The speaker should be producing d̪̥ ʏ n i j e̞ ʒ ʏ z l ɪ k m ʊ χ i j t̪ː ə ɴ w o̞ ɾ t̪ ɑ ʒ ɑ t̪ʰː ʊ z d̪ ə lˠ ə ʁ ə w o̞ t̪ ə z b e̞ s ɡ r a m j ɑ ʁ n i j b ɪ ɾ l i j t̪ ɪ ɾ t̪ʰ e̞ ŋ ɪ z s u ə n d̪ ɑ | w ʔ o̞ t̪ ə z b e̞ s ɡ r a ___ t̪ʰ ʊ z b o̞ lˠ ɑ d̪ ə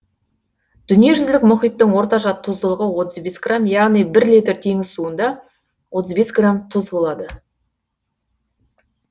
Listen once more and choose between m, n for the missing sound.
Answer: m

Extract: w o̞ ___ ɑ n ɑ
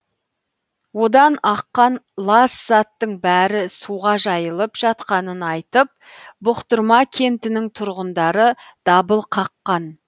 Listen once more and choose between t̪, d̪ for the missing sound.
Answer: d̪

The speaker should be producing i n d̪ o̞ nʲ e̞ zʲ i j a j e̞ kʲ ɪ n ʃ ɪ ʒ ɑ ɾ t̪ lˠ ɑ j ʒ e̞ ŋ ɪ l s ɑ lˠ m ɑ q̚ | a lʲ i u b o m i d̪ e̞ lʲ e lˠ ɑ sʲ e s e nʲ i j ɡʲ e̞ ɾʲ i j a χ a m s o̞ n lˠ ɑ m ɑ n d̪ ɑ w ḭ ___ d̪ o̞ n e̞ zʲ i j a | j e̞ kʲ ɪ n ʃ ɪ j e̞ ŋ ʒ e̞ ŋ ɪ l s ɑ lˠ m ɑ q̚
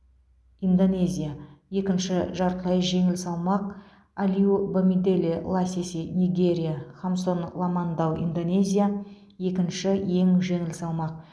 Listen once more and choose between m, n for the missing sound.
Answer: n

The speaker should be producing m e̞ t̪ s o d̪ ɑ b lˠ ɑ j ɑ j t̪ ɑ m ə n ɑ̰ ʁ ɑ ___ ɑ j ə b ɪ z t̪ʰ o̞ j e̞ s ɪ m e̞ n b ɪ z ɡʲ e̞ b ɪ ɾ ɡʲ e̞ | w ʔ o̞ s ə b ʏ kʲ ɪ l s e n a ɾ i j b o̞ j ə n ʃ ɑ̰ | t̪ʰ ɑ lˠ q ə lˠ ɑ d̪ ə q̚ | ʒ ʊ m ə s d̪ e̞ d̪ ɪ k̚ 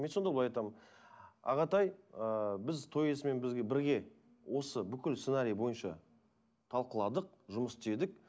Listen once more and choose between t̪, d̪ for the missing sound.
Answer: t̪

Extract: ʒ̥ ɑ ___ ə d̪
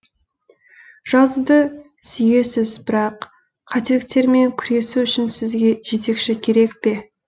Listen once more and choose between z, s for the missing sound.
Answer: z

